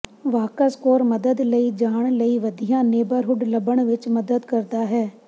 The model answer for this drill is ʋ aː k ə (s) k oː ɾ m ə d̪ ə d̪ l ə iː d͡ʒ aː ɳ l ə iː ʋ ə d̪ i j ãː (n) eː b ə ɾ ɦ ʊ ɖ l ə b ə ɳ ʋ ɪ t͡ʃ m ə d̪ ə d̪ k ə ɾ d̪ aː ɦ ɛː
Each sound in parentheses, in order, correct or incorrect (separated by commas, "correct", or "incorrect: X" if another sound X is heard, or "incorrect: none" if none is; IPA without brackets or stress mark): correct, correct